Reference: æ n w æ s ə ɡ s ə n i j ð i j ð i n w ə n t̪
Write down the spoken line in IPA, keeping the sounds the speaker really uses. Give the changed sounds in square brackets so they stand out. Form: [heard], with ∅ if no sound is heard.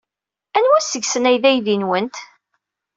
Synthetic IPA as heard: æ n w æ s ə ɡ s ə n [æ] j ð [æ] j ð i n w ə n t̪